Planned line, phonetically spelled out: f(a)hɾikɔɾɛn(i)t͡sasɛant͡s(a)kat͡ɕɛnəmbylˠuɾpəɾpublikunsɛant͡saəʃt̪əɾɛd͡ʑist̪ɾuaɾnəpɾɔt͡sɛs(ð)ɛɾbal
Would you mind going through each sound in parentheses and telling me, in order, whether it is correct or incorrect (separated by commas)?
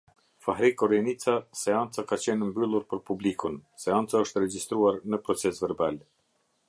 correct, correct, correct, incorrect